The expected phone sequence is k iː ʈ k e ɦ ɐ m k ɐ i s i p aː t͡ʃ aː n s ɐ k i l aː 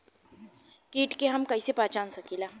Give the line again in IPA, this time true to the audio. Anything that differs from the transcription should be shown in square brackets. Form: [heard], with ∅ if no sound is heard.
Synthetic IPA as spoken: k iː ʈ k e ɦ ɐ m k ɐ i s [e] p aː t͡ʃ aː n s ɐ k i l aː